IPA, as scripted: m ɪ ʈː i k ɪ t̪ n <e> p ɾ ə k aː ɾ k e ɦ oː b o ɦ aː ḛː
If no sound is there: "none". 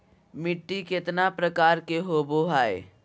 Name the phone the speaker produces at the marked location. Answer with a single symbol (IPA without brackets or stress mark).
a